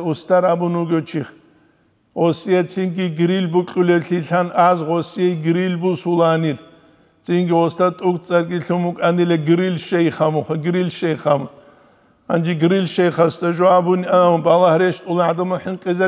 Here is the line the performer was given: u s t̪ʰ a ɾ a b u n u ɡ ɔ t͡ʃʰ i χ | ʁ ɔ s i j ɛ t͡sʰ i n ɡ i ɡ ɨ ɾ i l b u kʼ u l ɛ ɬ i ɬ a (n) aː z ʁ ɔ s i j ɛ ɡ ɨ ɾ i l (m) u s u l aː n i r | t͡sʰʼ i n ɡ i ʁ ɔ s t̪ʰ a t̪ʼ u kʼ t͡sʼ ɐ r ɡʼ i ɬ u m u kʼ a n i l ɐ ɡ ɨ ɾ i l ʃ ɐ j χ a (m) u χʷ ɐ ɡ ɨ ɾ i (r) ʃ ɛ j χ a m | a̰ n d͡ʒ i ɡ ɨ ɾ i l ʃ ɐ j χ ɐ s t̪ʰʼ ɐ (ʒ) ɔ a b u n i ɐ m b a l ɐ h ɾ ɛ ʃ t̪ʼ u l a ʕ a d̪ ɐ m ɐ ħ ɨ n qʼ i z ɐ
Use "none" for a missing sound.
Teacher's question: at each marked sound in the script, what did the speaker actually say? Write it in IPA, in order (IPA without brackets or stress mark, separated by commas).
n, b, m, l, ʒ